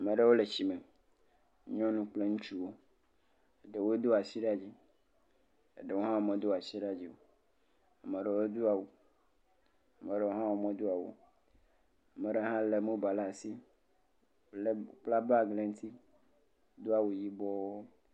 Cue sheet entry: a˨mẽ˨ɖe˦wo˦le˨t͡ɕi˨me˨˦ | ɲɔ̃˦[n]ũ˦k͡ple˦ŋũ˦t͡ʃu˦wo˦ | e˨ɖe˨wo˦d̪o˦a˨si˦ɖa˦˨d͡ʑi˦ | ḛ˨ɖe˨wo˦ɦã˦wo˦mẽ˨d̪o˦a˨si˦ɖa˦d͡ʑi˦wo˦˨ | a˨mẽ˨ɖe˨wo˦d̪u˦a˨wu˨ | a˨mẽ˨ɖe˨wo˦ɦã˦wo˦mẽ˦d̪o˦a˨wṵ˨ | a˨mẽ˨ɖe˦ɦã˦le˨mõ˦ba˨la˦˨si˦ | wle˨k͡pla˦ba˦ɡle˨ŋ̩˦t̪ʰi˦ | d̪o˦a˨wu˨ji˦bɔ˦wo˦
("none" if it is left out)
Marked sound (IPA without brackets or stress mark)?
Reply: n